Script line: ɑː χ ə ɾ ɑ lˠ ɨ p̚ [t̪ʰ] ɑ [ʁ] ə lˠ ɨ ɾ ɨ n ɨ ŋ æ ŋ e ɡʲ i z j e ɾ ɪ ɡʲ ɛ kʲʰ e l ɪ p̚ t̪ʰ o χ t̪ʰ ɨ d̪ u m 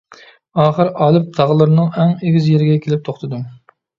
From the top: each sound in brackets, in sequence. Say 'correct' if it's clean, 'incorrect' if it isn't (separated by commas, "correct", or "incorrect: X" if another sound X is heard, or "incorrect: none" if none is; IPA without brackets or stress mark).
correct, correct